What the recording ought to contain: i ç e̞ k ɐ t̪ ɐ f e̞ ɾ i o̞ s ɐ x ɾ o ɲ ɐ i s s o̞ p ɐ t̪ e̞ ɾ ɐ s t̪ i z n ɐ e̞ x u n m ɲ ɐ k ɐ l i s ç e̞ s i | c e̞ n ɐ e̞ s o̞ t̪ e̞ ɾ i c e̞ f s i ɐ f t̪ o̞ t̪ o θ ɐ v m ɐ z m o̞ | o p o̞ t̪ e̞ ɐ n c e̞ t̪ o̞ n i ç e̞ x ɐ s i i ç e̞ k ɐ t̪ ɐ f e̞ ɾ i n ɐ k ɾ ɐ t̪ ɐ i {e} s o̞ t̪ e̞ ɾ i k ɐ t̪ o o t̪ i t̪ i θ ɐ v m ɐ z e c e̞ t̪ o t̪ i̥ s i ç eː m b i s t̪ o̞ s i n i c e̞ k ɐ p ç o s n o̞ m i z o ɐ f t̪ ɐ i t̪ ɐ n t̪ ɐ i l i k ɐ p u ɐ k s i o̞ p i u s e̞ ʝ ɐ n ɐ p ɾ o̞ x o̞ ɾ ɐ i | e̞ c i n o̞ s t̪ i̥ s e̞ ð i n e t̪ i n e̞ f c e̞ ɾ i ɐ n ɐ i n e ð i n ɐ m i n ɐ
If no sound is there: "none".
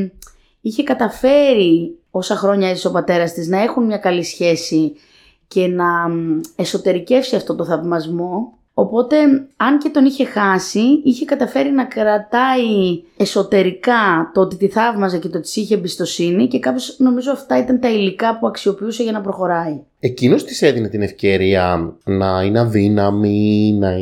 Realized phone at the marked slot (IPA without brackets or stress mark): e